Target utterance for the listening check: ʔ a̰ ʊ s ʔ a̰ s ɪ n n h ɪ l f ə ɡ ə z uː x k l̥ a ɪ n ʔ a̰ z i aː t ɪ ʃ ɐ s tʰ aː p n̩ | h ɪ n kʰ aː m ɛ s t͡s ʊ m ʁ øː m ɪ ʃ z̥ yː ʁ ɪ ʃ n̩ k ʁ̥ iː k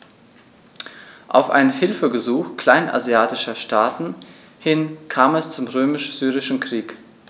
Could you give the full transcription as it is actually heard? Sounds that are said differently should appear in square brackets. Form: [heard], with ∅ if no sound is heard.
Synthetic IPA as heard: ʔ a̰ ʊ [f] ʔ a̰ [∅] ɪ n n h ɪ l f ə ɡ ə z uː x k l̥ a ɪ n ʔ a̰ z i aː t ɪ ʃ ɐ [ʃ] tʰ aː [t] n̩ | h ɪ n kʰ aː m ɛ s t͡s ʊ m ʁ øː m ɪ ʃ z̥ yː ʁ ɪ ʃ n̩ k ʁ̥ iː k